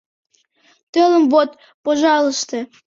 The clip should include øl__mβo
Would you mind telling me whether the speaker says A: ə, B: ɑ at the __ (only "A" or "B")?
A